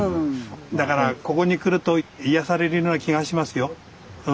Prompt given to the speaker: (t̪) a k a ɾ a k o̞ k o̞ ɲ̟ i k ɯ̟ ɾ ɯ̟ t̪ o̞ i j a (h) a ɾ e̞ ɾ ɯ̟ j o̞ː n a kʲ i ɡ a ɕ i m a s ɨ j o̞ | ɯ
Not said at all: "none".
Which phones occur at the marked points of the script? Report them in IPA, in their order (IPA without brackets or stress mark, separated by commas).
d̪, s